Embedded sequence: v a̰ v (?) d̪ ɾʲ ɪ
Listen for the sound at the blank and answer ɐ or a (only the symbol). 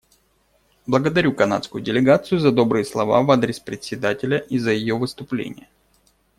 a